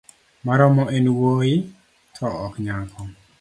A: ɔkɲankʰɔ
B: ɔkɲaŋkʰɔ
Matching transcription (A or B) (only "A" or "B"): B